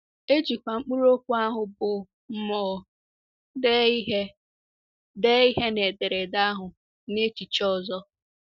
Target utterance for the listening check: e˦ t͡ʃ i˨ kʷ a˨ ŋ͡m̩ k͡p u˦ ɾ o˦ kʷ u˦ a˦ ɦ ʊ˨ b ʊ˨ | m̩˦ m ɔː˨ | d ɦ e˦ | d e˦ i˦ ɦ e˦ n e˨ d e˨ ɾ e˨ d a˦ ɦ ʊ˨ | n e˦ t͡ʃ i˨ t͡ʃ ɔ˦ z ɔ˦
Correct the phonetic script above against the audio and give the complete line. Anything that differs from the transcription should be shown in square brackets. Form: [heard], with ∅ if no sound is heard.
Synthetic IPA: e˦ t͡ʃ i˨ kʷ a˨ ŋ͡m̩ k͡p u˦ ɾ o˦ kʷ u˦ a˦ ɦ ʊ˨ b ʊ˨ | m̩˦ m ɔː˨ | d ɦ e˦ | d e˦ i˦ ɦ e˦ n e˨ d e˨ ɾ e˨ d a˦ ɦ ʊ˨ | n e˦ t͡ʃ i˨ t͡ʃ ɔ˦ z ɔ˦